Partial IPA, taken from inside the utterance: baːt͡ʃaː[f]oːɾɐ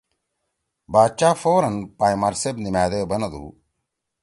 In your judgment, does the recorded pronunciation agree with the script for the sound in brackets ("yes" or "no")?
yes